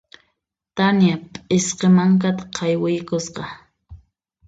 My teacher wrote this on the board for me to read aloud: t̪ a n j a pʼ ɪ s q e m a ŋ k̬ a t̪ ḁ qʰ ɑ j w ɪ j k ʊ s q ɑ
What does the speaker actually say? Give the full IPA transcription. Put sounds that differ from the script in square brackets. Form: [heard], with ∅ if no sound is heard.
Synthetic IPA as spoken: t̪ a n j a pʼ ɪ s q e m a ŋ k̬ a t̪ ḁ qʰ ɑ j w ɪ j k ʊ s q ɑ